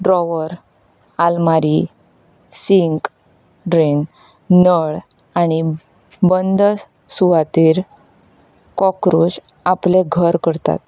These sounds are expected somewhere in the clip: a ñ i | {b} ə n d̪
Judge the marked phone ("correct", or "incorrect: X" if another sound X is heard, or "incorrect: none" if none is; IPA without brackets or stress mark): correct